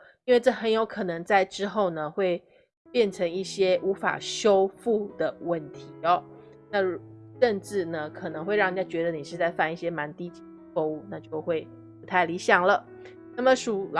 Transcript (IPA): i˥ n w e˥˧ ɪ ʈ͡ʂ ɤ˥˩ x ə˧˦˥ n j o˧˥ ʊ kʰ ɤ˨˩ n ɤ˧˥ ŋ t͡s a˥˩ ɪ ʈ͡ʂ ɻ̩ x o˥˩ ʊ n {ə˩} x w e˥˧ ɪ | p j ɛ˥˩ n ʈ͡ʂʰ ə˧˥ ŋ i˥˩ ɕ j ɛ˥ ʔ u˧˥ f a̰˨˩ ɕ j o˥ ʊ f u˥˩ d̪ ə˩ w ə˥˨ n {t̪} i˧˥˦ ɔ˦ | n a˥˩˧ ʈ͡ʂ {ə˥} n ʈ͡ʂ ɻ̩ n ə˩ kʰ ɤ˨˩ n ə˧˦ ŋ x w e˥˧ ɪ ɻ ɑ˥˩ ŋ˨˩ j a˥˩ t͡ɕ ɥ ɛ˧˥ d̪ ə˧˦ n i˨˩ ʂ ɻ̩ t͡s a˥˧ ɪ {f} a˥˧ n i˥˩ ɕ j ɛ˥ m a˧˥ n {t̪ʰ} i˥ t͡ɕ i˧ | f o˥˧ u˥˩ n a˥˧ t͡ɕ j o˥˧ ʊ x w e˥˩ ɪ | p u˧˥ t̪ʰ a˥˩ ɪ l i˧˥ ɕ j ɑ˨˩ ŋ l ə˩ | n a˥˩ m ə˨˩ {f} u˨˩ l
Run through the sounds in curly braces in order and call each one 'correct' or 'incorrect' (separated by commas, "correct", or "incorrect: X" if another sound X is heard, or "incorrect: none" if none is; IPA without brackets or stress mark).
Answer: correct, incorrect: t̪ʰ, incorrect: ə˥˧, correct, incorrect: t̪, incorrect: ʂ